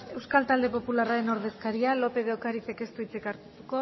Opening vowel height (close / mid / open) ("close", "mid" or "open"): mid